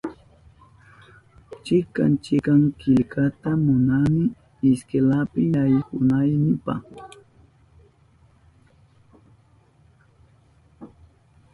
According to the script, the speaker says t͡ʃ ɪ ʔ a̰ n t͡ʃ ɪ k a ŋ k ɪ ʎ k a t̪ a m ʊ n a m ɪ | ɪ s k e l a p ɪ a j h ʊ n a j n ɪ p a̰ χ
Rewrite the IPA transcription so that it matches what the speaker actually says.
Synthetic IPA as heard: t͡ʃ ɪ k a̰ n t͡ʃ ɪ k a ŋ k ɪ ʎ k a t̪ a m ʊ n a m ɪ | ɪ s k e l a p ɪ a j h ʊ n a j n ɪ p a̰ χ